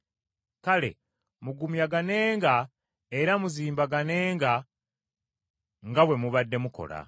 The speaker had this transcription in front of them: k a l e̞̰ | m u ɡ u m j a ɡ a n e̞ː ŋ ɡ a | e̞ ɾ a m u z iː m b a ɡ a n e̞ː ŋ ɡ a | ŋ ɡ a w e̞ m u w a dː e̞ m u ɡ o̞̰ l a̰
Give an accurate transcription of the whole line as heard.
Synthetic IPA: k a l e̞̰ | m u ɡ u m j a ɡ a n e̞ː ŋ ɡ a | e̞ ɾ a m u z iː m b a ɡ a n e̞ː ŋ ɡ a | ŋ ɡ a w e̞ m u β a dː e̞ m u k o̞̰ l a̰